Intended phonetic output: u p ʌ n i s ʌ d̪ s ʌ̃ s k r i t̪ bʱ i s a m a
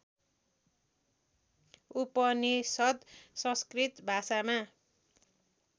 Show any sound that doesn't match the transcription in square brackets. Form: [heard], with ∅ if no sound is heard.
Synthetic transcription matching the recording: u p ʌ n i s ʌ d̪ s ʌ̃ s k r i t̪ bʱ [a] s a m a